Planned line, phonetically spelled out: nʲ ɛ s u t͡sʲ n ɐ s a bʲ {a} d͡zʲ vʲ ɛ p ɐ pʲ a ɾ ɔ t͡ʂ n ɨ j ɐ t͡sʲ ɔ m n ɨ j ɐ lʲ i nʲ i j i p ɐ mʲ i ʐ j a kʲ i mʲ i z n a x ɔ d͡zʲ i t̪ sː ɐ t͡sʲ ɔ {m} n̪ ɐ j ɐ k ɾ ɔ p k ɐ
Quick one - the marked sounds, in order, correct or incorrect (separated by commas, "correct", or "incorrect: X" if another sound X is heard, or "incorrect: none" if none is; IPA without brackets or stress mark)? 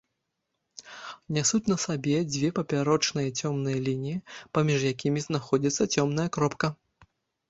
incorrect: ɛ, correct